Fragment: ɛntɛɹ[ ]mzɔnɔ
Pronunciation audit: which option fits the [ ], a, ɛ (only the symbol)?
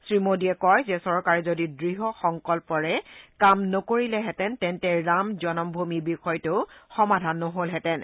a